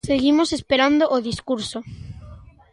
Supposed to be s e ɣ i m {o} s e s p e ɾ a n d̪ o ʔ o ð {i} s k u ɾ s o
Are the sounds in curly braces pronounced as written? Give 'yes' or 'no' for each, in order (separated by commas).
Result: yes, yes